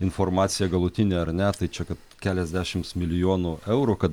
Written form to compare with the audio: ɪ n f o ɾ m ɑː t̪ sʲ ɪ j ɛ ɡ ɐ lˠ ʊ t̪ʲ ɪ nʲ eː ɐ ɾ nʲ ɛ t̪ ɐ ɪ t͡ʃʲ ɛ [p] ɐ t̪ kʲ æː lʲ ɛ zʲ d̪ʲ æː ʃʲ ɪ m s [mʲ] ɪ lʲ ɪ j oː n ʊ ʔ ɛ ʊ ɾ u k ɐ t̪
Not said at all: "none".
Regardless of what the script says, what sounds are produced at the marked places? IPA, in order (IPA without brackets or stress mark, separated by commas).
k, mʲ